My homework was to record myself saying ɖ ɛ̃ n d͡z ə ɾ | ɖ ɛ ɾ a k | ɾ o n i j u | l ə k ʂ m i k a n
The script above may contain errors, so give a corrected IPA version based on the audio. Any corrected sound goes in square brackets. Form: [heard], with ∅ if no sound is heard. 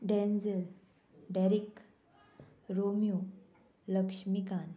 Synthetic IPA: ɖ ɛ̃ n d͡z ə [l] | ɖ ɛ ɾ [i] k | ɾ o [m] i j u | l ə k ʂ m i k a n